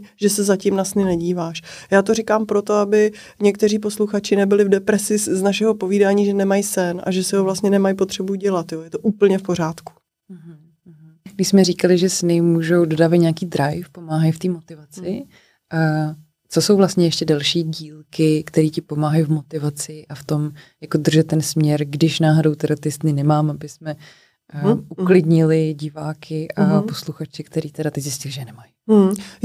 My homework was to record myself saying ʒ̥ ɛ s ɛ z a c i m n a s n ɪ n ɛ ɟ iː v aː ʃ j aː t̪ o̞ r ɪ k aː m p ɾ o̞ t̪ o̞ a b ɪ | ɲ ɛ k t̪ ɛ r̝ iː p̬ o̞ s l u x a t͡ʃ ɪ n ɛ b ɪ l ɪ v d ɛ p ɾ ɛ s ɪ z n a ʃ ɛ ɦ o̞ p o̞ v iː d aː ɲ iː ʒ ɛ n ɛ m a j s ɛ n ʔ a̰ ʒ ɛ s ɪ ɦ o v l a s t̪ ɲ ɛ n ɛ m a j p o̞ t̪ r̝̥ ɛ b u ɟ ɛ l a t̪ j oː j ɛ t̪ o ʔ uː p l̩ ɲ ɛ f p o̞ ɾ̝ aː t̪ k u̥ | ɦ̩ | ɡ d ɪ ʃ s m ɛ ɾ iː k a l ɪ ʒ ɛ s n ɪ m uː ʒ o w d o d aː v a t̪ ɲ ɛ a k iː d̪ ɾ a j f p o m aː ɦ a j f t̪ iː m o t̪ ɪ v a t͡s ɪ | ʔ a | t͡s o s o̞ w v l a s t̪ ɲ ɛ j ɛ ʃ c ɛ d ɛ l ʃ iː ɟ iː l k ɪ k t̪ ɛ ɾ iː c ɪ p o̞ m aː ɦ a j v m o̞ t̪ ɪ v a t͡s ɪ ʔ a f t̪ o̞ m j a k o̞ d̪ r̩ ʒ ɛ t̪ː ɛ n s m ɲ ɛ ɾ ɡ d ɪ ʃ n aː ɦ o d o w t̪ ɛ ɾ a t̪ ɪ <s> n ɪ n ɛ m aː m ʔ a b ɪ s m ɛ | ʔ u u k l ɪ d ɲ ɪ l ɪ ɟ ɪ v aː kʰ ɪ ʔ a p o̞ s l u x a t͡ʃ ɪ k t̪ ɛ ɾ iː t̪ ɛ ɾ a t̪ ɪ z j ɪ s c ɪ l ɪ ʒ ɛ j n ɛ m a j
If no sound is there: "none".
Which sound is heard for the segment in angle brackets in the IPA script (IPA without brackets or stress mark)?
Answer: s